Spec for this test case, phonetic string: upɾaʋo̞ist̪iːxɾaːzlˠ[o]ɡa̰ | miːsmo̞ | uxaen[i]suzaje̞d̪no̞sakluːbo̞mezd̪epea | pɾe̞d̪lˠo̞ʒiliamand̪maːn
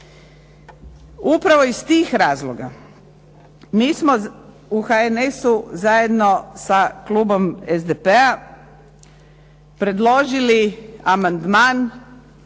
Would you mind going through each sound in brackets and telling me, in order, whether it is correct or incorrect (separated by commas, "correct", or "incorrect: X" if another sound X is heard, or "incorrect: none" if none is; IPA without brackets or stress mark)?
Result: correct, incorrect: e